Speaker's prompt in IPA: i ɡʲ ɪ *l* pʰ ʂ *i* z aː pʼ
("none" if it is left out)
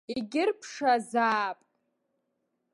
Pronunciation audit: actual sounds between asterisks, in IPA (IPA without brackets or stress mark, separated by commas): r, a